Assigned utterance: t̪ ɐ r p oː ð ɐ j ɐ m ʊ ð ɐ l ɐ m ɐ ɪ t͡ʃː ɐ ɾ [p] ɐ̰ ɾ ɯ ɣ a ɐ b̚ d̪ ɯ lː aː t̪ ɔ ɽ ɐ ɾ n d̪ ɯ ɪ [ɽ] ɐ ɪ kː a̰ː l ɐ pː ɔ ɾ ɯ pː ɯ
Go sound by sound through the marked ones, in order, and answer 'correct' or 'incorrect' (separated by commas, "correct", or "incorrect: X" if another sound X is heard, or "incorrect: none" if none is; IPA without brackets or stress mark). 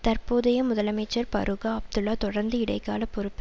correct, correct